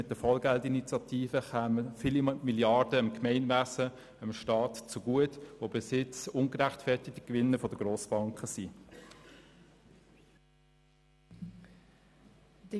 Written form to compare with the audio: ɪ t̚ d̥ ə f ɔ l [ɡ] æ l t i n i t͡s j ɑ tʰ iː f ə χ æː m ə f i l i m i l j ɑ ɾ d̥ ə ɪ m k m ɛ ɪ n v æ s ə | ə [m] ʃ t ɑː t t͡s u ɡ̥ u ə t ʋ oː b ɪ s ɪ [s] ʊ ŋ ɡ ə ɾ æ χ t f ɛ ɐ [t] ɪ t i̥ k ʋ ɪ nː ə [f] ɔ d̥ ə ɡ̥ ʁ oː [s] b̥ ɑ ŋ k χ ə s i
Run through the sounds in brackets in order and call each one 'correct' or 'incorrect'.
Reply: correct, correct, incorrect: t͡s, correct, correct, correct

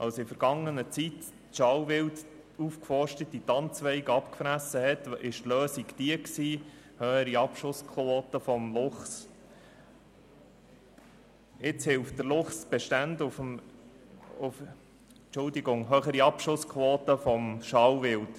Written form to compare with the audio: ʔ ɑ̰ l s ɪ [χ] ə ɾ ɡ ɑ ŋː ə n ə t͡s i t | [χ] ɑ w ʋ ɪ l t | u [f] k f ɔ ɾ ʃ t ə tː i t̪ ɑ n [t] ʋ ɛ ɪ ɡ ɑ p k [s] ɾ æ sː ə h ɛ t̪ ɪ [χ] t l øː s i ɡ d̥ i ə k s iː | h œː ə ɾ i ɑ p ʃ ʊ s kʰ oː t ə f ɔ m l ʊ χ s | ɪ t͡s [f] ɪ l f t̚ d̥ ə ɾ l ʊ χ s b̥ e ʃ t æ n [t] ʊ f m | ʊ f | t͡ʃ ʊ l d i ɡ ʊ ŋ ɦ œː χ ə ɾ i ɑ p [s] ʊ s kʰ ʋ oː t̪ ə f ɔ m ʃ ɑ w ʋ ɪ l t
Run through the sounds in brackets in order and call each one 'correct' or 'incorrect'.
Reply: incorrect: f, incorrect: ʃ, correct, incorrect: t͡s, incorrect: f, incorrect: ʃ, incorrect: h, incorrect: d, incorrect: ʃ

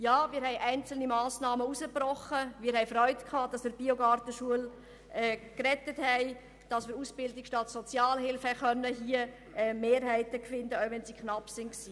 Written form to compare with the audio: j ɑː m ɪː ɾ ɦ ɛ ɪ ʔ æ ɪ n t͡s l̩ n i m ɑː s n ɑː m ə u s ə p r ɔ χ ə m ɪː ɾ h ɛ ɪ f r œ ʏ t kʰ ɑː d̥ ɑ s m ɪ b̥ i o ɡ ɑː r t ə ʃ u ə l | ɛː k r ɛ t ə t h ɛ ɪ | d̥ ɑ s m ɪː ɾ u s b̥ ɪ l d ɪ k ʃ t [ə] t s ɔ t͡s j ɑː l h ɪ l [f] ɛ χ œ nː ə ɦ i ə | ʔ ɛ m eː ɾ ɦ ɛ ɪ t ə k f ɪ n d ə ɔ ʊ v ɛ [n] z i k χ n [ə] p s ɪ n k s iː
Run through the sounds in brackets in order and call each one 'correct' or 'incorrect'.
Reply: incorrect: ɑ, correct, correct, incorrect: ɑ

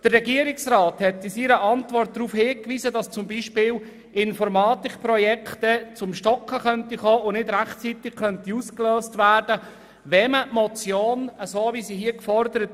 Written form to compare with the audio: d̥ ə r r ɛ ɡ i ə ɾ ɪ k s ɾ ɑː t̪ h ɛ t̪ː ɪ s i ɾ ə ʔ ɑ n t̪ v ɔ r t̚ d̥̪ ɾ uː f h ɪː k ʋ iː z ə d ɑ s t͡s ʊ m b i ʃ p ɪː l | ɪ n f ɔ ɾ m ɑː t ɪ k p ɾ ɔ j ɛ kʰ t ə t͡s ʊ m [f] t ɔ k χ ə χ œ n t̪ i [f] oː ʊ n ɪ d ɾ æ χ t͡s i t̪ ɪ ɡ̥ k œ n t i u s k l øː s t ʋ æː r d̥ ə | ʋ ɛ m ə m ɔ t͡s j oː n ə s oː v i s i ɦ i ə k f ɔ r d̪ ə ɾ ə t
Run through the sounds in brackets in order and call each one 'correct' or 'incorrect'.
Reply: incorrect: ʃ, incorrect: χ

